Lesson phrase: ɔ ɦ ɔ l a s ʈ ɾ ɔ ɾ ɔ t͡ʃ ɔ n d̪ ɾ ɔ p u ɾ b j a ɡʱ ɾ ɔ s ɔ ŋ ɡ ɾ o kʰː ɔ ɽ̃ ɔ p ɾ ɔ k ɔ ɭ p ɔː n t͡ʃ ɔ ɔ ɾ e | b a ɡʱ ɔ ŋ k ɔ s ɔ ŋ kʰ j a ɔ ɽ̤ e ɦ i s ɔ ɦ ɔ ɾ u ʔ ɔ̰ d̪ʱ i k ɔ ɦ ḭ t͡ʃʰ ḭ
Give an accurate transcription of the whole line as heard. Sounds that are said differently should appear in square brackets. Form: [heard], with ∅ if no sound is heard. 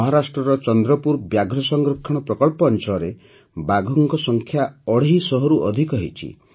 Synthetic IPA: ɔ ɦ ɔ [ɾ] a s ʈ ɾ ɔ ɾ ɔ t͡ʃ ɔ n d̪ ɾ ɔ p u ɾ b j a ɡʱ ɾ ɔ s ɔ ŋ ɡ ɾ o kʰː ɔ ɽ̃ ɔ p ɾ ɔ k ɔ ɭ p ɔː n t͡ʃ ɔ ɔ ɾ e | b a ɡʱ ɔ ŋ k ɔ s ɔ ŋ kʰ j a ɔ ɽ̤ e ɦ i s ɔ ɦ ɔ ɾ u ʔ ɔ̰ d̪ʱ i k ɔ ɦ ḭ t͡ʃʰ ḭ